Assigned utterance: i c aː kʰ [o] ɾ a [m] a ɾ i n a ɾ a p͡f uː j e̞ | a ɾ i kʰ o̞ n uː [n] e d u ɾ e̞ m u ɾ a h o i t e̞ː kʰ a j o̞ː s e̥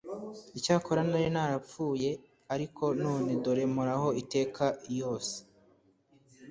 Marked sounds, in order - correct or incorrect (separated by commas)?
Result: correct, incorrect, correct